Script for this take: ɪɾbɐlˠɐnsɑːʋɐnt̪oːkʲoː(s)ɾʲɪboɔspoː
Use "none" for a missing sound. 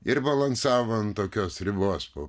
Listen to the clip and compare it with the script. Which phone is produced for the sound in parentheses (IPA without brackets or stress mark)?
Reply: s